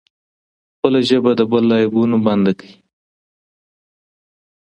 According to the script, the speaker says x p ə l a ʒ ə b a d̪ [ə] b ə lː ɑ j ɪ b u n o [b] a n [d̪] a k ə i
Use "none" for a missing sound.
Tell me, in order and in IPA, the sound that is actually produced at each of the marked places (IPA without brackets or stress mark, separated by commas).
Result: ə, b, d̪